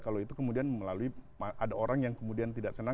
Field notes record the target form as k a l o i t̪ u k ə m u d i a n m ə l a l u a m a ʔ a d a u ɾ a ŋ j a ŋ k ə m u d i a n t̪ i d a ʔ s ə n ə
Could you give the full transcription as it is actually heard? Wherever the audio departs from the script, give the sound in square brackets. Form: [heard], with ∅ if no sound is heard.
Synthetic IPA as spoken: k a l o i t̪ u k ə m u d i a n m ə l a l u [i] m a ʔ a d a [o] ɾ a ŋ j a ŋ k ə m u d i a n t̪ i d a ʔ s ə n [a]